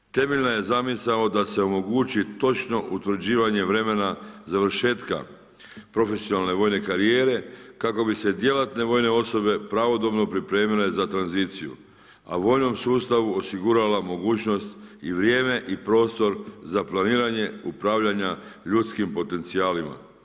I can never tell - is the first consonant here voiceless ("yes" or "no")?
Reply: yes